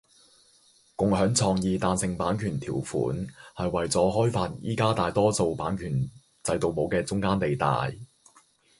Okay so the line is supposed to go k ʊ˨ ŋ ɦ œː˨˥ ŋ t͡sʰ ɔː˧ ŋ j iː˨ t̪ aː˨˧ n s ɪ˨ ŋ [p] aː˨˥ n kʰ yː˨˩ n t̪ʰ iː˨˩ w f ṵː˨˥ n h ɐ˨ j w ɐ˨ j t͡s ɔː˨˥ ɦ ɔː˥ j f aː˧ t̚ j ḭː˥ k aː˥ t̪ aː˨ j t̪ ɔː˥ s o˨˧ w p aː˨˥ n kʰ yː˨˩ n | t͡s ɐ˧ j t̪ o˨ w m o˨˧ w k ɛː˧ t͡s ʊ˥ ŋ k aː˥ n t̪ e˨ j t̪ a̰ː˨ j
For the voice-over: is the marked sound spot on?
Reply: yes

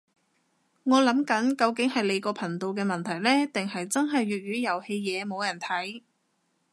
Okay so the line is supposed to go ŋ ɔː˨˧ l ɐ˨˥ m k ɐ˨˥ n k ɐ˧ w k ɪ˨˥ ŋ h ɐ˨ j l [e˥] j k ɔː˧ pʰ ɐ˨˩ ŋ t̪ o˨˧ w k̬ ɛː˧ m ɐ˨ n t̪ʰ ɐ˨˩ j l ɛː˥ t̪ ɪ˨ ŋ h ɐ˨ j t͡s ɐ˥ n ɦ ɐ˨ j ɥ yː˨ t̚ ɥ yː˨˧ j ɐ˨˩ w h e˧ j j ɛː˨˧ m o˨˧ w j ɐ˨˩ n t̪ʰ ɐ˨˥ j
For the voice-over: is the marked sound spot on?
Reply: no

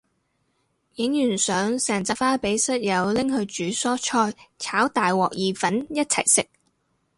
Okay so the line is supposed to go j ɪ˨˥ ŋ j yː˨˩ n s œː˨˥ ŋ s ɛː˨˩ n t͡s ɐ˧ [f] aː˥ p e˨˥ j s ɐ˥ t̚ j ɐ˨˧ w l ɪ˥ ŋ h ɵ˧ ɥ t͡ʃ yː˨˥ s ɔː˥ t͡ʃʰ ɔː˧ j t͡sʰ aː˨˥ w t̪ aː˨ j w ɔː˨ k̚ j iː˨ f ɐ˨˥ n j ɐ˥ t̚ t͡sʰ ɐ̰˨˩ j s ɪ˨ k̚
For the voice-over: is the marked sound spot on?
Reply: yes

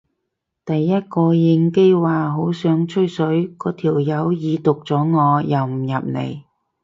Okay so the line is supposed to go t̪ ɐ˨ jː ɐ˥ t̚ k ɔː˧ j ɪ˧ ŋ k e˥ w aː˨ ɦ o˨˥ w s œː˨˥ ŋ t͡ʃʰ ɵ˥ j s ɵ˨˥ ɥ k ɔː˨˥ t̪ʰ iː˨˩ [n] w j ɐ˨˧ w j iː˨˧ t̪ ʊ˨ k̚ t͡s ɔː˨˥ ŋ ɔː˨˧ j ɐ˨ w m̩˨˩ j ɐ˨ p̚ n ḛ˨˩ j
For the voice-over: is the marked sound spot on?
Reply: no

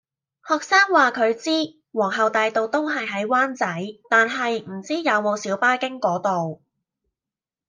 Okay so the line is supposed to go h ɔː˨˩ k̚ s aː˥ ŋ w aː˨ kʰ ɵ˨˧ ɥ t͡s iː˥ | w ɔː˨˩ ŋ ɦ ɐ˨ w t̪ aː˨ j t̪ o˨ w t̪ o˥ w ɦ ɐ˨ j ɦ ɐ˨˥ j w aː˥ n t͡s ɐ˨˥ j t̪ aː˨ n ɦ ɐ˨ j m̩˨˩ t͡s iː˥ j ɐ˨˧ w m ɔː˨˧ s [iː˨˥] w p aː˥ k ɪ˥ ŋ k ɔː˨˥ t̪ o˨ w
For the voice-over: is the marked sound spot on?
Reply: yes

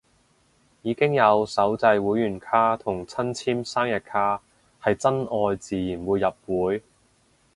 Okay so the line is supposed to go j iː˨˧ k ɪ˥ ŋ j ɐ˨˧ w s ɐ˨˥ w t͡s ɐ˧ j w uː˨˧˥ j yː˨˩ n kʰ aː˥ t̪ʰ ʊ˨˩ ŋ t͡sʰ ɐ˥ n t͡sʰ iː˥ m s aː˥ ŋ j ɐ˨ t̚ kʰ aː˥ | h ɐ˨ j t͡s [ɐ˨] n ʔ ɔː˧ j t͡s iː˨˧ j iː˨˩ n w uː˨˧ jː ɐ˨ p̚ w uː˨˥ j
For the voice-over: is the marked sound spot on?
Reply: no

